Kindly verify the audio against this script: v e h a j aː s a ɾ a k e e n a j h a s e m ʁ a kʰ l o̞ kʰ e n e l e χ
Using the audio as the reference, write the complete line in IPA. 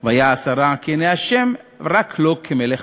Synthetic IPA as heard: v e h a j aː s a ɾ a k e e n e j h a ʃ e m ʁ a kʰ l o̞ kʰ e m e l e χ